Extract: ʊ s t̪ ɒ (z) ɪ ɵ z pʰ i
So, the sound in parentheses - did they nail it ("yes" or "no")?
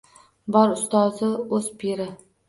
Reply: yes